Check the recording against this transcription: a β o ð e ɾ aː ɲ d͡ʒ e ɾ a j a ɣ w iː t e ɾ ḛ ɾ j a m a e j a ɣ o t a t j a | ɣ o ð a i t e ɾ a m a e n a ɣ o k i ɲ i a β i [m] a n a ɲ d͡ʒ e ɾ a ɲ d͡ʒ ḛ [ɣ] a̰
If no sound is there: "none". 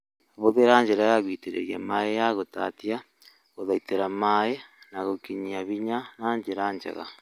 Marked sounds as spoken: ɲ, ɣ

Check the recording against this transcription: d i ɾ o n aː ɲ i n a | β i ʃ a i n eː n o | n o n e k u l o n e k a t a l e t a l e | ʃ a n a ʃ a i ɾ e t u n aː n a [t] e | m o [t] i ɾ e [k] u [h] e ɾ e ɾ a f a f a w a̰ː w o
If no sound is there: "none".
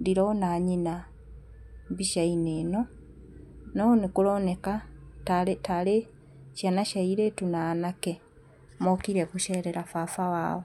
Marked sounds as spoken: k, k, k, ʃ

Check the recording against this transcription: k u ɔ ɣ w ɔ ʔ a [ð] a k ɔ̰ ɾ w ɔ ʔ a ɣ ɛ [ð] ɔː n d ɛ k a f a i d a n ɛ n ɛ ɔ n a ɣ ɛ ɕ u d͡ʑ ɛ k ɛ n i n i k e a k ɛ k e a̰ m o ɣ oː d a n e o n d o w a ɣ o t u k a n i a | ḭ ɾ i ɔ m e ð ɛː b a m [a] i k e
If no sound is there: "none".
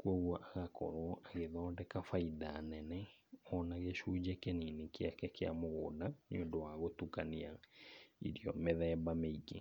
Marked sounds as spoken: ɣ, ð, e

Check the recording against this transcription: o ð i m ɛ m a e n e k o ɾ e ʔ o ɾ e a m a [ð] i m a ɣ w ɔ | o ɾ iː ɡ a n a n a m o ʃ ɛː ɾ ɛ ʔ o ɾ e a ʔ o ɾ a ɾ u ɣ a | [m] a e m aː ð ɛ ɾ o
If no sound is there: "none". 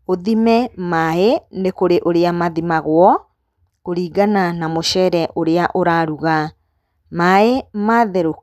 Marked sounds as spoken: ð, m

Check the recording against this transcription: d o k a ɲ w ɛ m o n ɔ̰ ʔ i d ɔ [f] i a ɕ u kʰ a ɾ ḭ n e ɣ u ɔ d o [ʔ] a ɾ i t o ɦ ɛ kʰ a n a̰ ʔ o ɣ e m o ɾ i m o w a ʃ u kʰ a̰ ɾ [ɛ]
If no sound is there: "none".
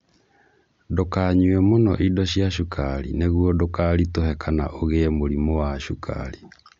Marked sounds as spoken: ɕ, k, i

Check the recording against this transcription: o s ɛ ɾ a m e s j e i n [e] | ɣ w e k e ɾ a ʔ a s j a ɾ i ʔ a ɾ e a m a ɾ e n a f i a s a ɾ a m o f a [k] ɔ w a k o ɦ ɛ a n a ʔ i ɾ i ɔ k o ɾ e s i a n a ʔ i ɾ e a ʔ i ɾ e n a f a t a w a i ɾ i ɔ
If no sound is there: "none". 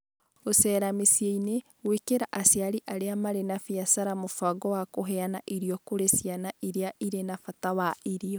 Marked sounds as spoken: e, ɡ

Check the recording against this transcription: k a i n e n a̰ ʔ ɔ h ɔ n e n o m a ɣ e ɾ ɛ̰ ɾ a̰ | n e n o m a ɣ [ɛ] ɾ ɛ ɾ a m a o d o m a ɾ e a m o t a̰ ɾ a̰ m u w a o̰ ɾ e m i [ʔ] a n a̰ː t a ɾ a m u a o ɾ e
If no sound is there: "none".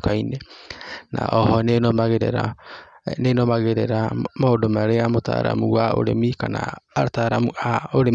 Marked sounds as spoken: e, k

